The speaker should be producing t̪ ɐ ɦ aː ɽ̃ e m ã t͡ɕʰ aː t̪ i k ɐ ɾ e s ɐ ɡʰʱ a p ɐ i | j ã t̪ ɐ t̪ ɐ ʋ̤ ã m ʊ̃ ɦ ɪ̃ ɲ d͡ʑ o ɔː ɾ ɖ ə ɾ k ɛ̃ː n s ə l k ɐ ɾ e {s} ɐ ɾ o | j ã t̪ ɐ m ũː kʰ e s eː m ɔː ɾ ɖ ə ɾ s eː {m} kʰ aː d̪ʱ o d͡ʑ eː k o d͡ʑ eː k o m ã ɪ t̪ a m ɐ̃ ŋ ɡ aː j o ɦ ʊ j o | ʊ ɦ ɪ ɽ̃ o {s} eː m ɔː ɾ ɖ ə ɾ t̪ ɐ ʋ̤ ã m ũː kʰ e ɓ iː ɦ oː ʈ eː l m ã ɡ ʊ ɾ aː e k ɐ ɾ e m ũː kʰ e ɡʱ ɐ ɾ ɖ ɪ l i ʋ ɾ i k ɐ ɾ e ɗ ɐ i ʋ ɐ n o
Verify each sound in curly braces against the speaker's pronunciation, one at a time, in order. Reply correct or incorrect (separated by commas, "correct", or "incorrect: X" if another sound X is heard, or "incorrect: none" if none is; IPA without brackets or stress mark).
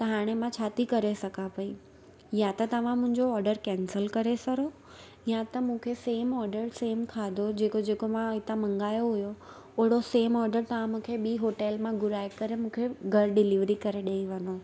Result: correct, correct, correct